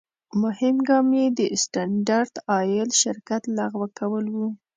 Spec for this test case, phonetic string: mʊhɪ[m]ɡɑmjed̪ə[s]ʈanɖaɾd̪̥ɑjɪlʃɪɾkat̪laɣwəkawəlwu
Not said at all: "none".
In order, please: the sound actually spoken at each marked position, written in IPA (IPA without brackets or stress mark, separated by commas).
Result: m, s